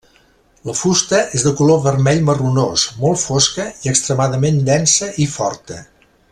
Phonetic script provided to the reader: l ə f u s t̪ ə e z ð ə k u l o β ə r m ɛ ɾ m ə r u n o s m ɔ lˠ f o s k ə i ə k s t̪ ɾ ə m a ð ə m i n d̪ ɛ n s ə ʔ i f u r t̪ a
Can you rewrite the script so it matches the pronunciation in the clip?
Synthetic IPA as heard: l ə f u s t̪ ə e z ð ə k u l o β ə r m ɛ ʎ m ə r u n o s m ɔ lˠ f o s k ə i ə k s t̪ ɾ ə m a ð ə m e n d̪ ɛ n s ə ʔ i f ɔ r t̪ ə